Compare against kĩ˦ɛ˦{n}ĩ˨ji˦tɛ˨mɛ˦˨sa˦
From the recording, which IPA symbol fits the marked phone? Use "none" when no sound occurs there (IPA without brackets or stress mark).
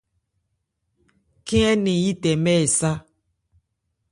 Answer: n